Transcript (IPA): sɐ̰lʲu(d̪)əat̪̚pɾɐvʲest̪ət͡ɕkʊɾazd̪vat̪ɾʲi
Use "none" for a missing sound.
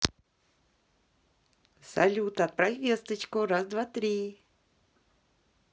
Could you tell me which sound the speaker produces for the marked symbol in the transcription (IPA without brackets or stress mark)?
t̪